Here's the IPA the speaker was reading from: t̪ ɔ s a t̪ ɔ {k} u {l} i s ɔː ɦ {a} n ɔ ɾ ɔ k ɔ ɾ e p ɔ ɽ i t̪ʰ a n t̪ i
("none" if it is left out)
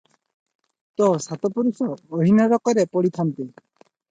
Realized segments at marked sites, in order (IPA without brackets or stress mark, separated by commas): p, ɾ, i